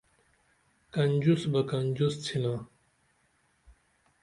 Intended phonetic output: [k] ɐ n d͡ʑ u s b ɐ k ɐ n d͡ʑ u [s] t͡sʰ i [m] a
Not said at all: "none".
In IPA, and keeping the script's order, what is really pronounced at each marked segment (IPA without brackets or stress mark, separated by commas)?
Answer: k, s, n